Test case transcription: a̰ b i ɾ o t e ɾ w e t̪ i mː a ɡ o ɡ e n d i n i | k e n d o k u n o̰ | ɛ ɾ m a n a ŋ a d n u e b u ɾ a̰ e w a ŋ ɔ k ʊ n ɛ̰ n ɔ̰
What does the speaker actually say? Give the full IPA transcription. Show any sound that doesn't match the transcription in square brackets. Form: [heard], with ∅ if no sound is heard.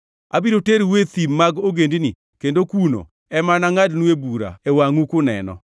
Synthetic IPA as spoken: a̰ b i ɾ o t e ɾ w e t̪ i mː a ɡ o ɡ e n d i n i | k e n d o k u n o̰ | ɛ [∅] m a n a ŋ a d n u e b u ɾ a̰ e w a ŋ [u] k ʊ n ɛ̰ n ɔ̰